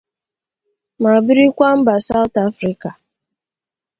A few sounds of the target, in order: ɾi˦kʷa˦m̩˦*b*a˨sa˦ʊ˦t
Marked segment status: correct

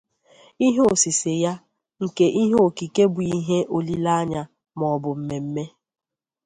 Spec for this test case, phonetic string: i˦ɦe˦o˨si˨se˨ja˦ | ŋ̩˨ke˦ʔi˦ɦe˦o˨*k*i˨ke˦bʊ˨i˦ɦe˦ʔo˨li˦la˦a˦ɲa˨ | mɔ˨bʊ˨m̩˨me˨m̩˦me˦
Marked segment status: correct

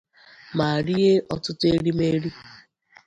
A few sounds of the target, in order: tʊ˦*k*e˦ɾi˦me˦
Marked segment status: incorrect: t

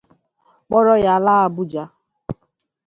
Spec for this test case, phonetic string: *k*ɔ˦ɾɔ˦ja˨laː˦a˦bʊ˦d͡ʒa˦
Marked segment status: incorrect: k͡p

